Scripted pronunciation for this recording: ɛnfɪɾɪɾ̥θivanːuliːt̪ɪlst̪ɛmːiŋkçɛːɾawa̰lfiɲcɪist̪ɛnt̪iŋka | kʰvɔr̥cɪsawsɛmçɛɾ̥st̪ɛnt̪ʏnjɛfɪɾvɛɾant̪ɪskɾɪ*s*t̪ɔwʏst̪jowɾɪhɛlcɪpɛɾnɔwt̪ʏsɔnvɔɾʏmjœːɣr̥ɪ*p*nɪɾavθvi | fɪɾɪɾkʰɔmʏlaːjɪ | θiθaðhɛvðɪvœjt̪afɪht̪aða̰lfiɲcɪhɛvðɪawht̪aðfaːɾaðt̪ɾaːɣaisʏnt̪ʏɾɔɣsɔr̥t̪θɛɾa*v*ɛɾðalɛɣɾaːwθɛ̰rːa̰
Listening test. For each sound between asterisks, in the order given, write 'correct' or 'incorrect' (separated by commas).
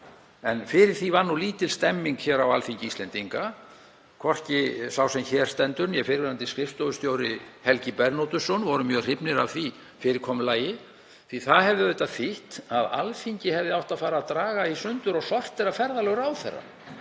incorrect, correct, incorrect